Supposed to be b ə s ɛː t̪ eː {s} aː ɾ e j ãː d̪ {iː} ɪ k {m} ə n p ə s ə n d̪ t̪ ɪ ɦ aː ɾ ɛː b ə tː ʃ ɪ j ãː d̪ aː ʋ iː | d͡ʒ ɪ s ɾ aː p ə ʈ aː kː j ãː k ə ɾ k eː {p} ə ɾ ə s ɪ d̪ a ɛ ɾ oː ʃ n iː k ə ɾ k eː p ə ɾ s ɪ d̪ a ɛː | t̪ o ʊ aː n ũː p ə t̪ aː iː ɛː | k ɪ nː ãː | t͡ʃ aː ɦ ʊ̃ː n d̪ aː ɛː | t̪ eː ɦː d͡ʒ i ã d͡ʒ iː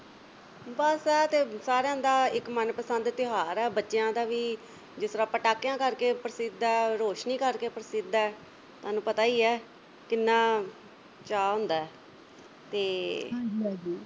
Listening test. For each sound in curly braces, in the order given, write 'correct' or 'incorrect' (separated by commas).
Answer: correct, incorrect, correct, correct